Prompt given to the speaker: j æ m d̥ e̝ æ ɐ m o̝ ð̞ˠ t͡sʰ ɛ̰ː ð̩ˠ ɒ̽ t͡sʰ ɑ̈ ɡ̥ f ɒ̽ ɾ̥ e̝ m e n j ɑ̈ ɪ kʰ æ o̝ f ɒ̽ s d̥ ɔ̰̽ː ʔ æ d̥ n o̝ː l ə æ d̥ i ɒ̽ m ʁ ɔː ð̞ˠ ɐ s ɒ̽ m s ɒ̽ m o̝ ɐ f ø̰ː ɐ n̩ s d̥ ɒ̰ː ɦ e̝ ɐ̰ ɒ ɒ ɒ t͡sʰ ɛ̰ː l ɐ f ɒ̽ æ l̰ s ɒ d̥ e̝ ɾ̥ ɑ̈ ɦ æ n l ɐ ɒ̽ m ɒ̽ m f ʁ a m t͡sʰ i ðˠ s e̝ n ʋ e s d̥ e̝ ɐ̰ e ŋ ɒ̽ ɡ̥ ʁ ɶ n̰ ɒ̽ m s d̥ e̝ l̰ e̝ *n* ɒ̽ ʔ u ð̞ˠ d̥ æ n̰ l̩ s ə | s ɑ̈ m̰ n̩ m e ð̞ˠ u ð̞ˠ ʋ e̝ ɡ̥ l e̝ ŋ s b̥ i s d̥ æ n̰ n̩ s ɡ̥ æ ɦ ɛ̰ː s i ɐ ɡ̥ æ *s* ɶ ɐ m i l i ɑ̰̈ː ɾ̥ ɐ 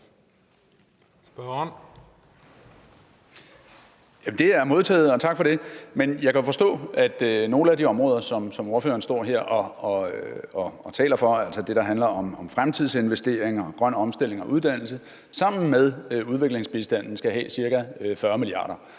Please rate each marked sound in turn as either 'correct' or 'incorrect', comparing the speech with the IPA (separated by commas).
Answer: incorrect, incorrect